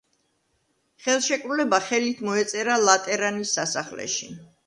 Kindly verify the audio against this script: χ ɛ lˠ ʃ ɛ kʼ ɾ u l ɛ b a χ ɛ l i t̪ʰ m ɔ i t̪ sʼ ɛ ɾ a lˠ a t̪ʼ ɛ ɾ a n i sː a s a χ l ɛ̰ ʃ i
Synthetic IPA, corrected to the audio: χ ɛ lˠ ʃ ɛ kʼ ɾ u l ɛ b a χ ɛ l i t̪ʰ m ɔ ɛ t̪ sʼ ɛ ɾ a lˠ a t̪ʼ ɛ ɾ a n i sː a s a χ l ɛ̰ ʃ i